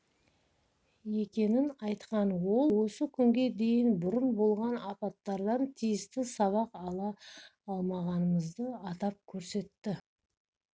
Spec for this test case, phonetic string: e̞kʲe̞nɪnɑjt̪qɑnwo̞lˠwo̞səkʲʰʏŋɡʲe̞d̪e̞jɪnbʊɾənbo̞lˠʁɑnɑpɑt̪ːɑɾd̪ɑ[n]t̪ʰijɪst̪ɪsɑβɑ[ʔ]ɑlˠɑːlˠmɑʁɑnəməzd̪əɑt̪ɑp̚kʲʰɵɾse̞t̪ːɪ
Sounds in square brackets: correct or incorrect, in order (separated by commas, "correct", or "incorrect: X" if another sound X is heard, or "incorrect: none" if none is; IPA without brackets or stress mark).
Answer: correct, incorrect: q